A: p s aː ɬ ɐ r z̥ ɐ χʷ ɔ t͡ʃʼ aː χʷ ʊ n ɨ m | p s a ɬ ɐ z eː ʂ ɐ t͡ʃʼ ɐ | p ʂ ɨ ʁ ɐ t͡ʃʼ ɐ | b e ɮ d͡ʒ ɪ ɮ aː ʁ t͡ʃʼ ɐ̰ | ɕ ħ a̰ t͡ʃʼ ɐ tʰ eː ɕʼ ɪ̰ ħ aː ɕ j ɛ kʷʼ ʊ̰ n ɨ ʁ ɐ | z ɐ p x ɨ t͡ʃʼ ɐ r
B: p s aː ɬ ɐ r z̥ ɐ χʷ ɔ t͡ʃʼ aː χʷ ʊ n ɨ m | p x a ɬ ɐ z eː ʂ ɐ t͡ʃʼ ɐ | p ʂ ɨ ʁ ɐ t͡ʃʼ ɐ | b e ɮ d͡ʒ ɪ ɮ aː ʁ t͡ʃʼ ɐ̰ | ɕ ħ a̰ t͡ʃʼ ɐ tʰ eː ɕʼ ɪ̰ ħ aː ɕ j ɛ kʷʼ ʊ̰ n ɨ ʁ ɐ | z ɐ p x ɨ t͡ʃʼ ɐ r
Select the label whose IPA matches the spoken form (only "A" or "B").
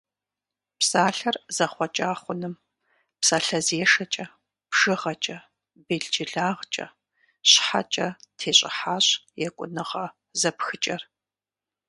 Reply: A